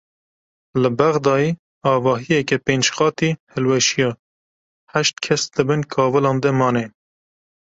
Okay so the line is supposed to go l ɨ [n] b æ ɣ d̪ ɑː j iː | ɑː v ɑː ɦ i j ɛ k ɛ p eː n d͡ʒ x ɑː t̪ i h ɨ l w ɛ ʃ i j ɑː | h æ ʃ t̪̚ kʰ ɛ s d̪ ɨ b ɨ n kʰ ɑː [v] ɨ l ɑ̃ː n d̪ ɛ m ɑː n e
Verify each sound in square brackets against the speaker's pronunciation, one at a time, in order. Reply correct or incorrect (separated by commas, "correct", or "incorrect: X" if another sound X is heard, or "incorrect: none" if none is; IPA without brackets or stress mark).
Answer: incorrect: none, correct